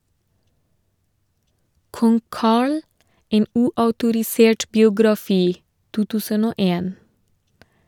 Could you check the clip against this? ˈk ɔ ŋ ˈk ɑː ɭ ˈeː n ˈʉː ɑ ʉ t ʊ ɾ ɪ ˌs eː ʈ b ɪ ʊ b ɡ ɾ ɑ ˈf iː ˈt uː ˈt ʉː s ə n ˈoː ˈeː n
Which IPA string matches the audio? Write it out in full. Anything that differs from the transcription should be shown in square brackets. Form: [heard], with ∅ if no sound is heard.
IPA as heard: ˈk ɔ ŋ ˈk ɑː ɭ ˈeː n ˈʉː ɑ ʉ t ʊ ɾ ɪ ˌs eː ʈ b ɪ ʊ [∅] ɡ ɾ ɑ ˈf iː ˈt uː ˈt ʉː s ə n ˈoː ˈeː n